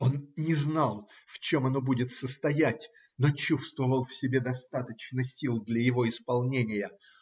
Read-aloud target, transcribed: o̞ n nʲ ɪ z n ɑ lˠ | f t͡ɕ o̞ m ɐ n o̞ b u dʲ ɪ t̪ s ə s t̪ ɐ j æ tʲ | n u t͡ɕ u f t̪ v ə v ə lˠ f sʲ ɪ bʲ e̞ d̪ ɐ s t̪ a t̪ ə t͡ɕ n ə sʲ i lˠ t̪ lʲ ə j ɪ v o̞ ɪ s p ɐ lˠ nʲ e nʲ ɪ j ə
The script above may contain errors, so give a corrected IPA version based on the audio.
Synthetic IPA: o̞ n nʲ ɪ z n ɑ lˠ | f t͡ɕ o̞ m ɐ n o̞ b u dʲ ɪ t̪ s ə s t̪ ɐ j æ tʲ | n o t͡ɕ u s t̪ v ə v ə lˠ f sʲ ɪ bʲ e̞ d̪ ɐ s t̪ a t̪ ə t͡ɕ n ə sʲ i lˠ d̪ lʲ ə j ɪ v o̞ ɪ s p ɐ lˠ nʲ e nʲ ɪ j ə